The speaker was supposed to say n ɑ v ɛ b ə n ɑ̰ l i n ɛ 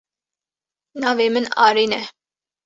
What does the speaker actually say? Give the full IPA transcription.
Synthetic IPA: n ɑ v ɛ m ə n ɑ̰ ɾ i n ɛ